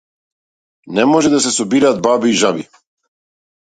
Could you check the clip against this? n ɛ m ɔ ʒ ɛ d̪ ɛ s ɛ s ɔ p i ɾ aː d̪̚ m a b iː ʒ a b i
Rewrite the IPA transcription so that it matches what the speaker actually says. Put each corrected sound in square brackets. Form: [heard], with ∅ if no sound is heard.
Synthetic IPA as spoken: n ɛ m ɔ ʒ ɛ d̪ [a] s ɛ s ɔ [b] i ɾ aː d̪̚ [b] a b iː ʒ a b i